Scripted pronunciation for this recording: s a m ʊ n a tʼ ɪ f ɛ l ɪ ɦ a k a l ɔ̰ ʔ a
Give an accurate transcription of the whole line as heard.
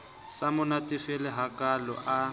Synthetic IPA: s a m ʊ n a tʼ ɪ f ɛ l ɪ ɦ a k a l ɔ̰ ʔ a